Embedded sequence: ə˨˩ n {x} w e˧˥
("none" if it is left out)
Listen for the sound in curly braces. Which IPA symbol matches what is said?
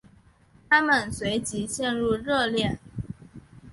s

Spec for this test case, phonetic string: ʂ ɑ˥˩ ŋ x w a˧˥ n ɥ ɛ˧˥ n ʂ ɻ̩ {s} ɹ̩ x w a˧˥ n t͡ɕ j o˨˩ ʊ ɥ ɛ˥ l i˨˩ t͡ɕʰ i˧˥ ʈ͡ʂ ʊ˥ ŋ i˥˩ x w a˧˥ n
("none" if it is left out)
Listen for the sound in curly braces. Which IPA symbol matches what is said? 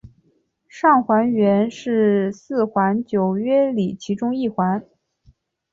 s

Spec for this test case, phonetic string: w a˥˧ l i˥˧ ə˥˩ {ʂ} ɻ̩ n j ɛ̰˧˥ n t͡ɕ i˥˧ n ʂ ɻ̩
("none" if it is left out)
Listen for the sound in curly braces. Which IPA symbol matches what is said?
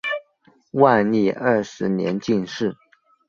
ʂ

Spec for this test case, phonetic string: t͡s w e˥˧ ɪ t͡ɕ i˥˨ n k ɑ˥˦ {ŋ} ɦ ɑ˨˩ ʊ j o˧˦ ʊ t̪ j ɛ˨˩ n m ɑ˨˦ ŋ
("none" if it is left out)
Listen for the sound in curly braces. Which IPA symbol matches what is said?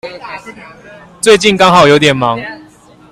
ŋ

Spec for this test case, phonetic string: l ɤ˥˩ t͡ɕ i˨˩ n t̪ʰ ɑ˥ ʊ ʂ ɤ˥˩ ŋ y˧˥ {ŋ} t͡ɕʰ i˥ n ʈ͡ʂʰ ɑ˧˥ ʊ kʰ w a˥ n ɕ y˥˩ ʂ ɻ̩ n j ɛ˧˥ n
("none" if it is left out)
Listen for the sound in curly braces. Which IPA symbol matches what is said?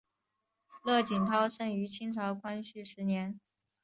none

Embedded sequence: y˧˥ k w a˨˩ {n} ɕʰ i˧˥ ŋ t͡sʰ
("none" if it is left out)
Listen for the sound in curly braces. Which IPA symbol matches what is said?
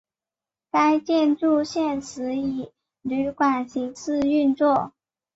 n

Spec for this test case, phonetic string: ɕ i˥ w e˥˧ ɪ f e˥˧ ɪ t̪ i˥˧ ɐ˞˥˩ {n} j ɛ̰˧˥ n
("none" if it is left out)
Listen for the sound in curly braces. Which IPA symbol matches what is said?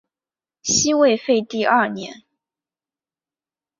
n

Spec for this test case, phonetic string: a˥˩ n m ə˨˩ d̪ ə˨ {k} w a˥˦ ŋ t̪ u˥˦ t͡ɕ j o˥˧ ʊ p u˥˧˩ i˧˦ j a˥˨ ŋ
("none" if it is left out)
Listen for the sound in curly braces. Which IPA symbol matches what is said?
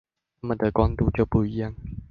k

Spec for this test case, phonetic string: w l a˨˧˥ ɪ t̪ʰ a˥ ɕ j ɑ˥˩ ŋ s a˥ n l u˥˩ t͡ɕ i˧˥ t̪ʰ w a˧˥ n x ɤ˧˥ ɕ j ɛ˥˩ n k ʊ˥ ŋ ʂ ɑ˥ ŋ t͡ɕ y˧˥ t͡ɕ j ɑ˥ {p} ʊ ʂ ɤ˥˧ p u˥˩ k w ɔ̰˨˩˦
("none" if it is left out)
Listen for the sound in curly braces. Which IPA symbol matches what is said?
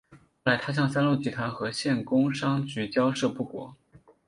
none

